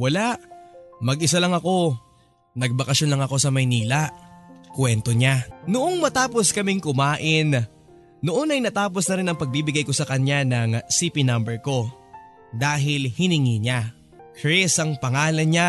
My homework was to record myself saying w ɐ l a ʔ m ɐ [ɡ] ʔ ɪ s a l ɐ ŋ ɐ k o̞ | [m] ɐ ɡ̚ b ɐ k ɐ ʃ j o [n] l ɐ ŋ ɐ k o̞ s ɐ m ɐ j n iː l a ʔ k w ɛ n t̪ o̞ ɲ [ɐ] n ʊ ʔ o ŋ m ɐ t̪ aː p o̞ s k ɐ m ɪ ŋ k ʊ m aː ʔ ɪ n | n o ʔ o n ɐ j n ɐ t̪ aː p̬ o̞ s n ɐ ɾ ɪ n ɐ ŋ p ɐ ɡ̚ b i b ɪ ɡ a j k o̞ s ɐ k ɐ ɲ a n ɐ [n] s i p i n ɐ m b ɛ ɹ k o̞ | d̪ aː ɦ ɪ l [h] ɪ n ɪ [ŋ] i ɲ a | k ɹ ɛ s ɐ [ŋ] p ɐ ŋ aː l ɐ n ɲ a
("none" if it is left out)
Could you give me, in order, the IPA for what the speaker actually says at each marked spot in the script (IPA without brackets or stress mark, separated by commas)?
ɡ, n, n, a, ŋ, h, ŋ, ŋ